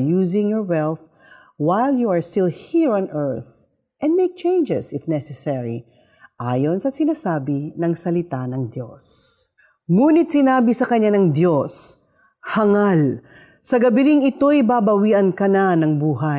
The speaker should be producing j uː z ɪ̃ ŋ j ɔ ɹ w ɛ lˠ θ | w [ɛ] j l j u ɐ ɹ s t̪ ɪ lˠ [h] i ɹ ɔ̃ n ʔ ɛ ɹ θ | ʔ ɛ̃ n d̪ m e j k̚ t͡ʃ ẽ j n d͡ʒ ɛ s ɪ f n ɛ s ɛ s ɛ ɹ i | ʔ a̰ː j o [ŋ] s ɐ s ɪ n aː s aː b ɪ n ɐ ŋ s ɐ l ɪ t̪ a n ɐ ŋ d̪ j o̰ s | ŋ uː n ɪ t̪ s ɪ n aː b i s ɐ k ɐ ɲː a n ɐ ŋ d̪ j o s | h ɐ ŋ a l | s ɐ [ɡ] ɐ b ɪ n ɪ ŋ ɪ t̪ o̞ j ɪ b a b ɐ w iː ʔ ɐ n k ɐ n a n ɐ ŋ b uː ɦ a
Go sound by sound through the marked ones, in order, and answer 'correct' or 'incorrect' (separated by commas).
incorrect, correct, incorrect, correct